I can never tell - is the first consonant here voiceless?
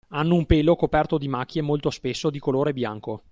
no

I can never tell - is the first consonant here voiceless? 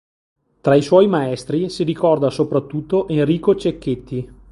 yes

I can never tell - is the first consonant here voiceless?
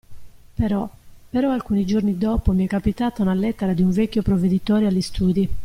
yes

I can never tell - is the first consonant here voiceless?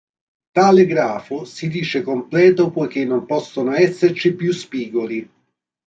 yes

